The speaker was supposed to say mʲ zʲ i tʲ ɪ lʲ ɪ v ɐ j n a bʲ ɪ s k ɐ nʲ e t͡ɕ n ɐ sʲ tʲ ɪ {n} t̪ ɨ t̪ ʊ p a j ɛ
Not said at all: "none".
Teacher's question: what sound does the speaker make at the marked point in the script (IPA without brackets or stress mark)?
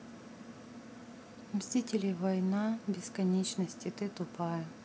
none